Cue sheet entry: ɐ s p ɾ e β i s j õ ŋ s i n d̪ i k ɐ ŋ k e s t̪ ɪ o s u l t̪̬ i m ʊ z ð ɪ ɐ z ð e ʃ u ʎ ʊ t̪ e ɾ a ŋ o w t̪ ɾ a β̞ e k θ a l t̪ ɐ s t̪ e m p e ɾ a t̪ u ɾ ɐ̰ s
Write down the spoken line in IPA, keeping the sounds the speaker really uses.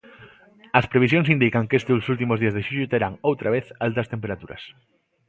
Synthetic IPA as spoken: ɐ s p ɾ e β i s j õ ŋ s i n d̪ i k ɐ ŋ k e s t̪ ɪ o s u l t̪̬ i m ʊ z ð i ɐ z ð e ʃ u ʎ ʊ t̪ e ɾ a ŋ o w t̪ ɾ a β̞ e θ a l t̪ ɐ s t̪ e m p e ɾ a t̪ u ɾ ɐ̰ s